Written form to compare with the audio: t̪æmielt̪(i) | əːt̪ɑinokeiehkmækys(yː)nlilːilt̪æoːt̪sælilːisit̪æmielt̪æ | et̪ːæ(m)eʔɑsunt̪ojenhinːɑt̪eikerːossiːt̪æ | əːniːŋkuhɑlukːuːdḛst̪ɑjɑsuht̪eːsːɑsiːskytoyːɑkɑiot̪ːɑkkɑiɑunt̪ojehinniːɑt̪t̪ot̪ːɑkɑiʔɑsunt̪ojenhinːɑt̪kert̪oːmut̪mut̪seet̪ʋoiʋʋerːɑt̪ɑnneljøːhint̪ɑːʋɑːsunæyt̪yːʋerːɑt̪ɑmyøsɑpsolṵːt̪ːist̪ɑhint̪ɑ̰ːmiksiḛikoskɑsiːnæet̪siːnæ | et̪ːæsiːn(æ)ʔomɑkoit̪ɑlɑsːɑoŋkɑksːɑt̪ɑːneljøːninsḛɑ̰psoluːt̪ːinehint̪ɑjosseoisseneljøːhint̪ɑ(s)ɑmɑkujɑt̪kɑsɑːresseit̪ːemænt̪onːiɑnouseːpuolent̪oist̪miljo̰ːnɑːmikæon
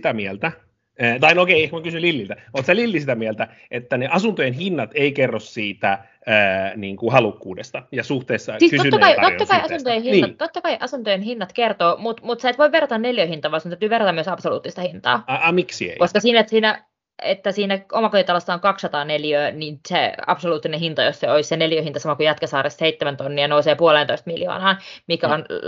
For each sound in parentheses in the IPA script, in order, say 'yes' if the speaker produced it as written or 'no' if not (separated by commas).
no, no, no, yes, yes